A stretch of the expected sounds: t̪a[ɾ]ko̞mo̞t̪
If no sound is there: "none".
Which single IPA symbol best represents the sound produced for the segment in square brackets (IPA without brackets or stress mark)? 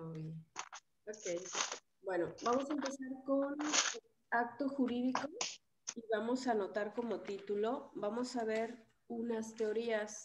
ɾ